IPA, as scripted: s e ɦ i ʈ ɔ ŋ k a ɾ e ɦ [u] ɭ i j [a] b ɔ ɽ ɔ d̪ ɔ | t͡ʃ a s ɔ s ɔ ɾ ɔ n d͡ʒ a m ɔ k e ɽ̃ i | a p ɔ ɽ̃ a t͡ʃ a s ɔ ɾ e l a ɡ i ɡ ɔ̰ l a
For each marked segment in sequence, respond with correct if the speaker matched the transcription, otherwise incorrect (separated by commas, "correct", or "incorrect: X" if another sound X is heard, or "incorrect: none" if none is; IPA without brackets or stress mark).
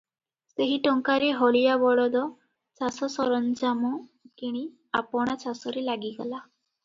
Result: incorrect: ɔ, correct